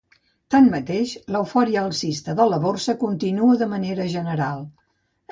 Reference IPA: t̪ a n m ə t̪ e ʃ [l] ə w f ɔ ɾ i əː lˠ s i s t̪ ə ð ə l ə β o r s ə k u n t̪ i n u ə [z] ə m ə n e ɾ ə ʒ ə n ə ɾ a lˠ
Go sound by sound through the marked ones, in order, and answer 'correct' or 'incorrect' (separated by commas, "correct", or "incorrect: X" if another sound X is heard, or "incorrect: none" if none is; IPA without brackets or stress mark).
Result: correct, incorrect: ð